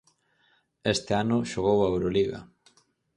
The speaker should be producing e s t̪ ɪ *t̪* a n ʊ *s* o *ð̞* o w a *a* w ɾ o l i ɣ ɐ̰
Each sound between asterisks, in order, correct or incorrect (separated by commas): incorrect, incorrect, incorrect, incorrect